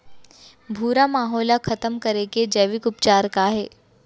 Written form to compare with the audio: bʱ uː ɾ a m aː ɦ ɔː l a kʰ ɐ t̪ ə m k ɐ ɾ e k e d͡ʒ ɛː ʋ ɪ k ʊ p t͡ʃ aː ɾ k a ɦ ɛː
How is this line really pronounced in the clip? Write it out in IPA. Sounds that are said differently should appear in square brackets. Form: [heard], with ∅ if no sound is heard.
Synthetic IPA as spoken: bʱ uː ɾ a m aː ɦ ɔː l a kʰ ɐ t̪ ə m k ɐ ɾ e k e d͡ʒ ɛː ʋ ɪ k ʊ p t͡ʃ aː ɾ k a ɦ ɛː